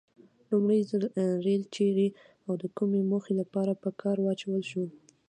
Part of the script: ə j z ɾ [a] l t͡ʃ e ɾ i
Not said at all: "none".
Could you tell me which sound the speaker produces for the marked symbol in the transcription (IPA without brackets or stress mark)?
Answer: e